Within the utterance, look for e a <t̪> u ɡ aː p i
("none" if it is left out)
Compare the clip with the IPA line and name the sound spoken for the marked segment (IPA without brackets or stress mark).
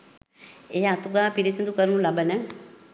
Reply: t̪